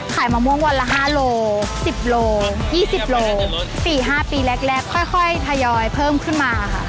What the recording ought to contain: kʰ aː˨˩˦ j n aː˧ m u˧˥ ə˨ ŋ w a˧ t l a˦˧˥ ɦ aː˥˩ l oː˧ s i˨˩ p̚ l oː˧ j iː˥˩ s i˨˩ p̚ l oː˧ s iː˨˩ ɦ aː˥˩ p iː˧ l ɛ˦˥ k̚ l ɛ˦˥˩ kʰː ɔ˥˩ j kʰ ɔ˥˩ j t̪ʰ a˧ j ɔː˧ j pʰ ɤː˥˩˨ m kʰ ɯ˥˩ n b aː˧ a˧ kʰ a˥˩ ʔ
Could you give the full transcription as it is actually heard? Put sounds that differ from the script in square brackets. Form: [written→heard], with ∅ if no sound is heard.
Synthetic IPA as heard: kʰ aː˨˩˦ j [n→m] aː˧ m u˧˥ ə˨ ŋ w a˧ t l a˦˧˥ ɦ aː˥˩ l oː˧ s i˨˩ p̚ l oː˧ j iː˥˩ s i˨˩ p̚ l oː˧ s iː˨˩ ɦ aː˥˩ p iː˧ l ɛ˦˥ k̚ l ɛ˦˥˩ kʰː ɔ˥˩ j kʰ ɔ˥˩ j t̪ʰ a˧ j ɔː˧ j pʰ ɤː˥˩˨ m kʰ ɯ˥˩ n [b→m] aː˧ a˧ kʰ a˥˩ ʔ